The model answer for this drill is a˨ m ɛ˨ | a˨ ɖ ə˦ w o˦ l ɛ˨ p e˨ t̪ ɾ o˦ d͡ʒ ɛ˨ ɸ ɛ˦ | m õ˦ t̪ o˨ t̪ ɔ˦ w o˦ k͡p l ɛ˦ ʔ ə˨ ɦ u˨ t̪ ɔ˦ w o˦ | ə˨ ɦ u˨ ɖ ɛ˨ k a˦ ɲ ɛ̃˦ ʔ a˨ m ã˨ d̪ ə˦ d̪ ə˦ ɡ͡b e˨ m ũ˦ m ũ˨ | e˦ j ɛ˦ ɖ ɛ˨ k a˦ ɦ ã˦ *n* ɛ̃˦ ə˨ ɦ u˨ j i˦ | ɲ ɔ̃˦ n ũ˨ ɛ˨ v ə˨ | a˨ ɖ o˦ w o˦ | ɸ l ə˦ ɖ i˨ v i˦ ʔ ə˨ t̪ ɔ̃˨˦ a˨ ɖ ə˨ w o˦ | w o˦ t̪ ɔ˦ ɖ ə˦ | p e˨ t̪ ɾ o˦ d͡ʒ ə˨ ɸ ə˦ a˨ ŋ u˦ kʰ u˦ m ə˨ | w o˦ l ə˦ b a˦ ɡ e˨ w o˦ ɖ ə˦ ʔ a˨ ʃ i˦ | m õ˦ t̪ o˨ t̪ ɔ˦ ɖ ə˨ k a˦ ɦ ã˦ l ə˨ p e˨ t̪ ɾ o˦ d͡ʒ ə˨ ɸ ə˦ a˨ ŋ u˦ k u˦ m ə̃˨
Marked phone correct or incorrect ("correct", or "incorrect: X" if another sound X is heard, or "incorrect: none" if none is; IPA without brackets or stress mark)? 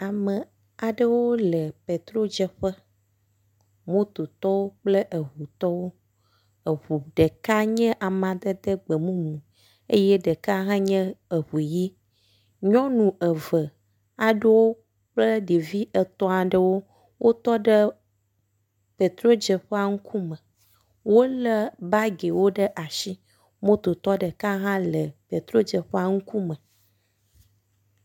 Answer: incorrect: ɲ